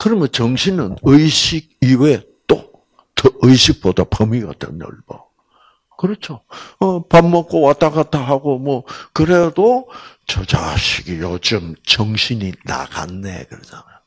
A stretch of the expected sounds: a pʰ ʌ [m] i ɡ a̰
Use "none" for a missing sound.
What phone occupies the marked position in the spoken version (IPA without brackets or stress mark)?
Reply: m